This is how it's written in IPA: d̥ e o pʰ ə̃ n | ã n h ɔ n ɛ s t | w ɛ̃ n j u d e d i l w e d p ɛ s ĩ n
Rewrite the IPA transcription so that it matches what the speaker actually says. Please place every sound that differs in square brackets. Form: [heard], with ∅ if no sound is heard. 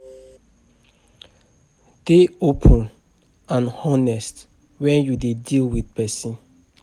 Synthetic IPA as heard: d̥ e o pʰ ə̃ n | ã n h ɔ n ɛ s t | w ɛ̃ n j u d e d i l w [i] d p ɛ s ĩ n